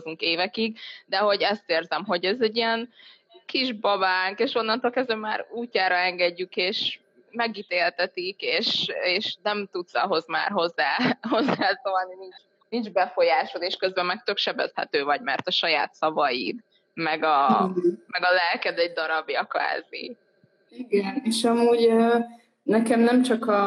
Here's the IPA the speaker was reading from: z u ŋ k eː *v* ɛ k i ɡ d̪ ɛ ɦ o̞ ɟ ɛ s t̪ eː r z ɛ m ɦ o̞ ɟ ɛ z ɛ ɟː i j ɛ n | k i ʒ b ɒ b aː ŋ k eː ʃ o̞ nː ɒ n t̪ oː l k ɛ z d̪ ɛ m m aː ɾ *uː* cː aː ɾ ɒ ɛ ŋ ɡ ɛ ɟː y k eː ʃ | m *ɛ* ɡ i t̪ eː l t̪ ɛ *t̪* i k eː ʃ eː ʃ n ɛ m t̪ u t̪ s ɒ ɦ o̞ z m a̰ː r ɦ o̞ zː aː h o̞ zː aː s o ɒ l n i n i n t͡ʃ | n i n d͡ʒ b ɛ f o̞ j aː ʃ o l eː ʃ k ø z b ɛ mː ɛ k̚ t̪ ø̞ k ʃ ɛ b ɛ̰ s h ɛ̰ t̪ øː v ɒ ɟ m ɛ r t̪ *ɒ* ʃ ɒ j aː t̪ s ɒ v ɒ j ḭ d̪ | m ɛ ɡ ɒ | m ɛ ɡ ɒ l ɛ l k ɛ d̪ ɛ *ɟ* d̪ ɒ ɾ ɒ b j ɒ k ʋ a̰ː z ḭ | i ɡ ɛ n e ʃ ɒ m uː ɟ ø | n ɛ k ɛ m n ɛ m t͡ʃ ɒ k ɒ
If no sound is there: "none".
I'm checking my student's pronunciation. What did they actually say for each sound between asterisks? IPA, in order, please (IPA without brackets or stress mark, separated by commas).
v, uː, ɛ, t̪, ɒ, ɟ